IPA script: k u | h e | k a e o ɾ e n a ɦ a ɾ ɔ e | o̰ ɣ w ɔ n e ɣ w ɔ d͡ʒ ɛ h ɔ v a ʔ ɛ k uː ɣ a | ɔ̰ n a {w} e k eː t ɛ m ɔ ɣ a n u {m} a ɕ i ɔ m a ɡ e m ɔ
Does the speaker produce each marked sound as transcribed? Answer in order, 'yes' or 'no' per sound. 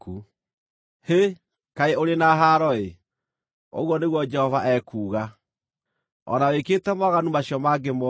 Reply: yes, yes

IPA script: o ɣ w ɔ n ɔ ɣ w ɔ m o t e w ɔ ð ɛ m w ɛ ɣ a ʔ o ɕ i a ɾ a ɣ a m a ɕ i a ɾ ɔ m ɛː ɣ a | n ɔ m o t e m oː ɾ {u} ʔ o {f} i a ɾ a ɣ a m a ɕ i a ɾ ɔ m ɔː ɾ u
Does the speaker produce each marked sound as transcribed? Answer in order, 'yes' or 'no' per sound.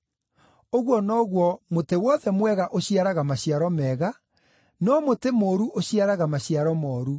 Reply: yes, no

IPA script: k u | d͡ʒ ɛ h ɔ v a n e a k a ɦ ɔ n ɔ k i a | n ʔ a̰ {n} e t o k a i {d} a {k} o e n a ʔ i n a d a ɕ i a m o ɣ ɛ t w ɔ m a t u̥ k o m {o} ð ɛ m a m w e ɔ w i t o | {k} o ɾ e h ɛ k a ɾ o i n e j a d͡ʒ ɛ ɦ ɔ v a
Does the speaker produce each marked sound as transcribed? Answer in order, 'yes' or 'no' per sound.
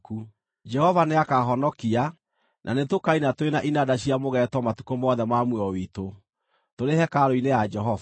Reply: yes, no, no, no, no

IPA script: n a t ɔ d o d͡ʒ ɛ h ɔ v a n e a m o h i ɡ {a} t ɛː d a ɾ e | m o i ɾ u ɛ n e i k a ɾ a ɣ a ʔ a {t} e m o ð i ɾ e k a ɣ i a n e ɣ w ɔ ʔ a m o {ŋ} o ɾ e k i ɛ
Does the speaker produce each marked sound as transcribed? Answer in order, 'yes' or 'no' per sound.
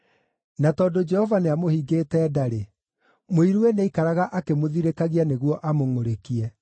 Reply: no, no, yes

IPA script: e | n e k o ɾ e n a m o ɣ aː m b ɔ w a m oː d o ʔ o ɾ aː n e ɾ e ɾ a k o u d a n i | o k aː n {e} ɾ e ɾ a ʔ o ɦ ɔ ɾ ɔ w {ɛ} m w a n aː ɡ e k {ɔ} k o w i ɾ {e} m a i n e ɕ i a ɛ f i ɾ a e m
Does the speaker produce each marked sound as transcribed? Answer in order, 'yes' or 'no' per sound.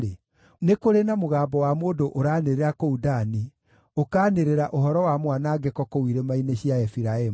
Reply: yes, no, yes, yes

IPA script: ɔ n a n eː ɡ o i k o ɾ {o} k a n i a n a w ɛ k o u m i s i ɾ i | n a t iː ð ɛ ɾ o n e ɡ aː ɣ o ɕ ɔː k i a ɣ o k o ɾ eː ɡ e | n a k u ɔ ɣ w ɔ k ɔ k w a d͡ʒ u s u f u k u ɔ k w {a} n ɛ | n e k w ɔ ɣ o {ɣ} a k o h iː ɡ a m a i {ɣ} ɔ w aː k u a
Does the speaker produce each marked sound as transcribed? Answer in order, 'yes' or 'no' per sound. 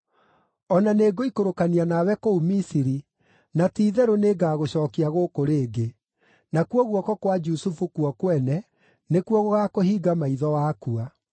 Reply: yes, no, yes, no

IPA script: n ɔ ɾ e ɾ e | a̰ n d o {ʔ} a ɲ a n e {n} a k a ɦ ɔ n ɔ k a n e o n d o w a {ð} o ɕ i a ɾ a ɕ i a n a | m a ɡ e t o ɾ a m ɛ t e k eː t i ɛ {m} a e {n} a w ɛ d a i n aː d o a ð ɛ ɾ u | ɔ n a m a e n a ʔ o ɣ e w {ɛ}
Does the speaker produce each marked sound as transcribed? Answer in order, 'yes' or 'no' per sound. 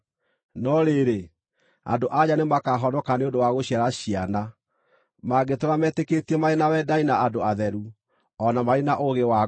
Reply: yes, no, no, yes, yes, no

